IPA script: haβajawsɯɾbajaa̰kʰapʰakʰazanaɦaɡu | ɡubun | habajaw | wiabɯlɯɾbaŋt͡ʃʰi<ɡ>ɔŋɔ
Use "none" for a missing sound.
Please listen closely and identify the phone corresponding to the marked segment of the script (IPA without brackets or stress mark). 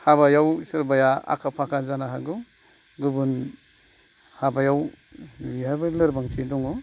d